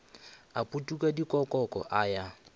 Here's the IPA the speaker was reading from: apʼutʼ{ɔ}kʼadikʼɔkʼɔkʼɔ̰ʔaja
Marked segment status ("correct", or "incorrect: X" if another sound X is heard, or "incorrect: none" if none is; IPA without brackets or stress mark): incorrect: u